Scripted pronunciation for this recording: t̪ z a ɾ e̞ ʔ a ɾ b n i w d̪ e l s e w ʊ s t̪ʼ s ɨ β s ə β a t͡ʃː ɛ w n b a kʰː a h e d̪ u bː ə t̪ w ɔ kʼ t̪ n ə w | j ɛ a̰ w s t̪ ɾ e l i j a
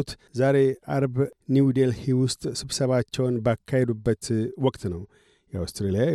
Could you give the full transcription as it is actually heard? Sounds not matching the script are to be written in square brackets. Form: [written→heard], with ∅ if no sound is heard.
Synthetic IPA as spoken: t̪ z a ɾ e̞ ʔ a ɾ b n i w d̪ e l [s→h] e w ʊ s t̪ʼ s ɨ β s ə β a t͡ʃː ɛ w n b a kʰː a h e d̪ u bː ə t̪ w ɔ kʼ t̪ n ə w | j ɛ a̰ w s t̪ ɾ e l i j a